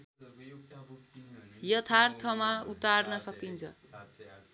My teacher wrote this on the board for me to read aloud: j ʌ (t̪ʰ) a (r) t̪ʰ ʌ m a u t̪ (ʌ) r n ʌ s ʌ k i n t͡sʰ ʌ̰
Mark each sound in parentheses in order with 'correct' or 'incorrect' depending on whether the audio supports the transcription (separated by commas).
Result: correct, correct, incorrect